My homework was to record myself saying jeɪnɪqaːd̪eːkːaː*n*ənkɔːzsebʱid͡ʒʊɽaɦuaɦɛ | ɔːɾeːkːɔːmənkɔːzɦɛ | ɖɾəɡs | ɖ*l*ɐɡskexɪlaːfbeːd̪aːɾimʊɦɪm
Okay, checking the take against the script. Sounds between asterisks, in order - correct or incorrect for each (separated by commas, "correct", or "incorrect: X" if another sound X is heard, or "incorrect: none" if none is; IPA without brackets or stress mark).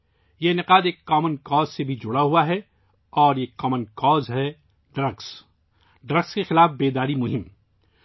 incorrect: m, incorrect: ɾ